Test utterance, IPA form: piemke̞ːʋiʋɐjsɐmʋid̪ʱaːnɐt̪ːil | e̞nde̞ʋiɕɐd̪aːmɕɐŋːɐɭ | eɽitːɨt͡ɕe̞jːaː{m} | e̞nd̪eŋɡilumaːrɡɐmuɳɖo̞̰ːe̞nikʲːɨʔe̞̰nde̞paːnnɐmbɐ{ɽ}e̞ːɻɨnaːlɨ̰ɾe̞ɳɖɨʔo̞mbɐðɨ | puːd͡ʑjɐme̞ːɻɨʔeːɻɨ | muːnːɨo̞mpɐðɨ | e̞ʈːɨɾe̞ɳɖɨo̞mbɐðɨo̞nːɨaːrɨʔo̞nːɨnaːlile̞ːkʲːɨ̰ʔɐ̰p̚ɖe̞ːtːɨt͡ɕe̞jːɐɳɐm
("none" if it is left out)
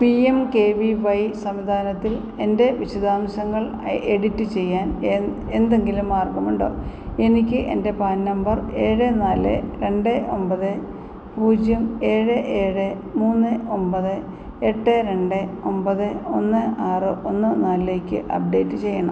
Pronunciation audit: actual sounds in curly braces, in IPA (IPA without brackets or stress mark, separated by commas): n, r